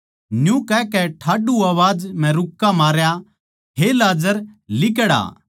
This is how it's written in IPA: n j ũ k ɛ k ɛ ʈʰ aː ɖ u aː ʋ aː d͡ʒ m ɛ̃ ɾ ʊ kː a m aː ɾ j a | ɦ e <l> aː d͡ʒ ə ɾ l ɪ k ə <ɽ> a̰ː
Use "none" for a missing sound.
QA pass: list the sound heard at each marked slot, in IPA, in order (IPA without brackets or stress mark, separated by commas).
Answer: l, ɽ